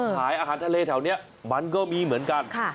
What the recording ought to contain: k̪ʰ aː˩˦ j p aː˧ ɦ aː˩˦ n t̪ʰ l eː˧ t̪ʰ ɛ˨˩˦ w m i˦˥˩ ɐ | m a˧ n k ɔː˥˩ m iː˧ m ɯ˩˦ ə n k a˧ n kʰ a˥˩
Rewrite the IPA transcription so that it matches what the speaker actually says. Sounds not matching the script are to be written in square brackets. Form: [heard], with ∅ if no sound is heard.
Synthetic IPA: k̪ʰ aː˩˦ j [ʔ] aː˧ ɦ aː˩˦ n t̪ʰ l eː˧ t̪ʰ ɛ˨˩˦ w [n] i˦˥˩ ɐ | m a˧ n k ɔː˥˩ m iː˧ m ɯ˩˦ ə n k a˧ n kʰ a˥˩